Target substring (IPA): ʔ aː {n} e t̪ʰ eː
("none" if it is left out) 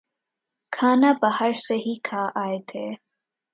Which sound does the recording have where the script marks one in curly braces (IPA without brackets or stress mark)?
none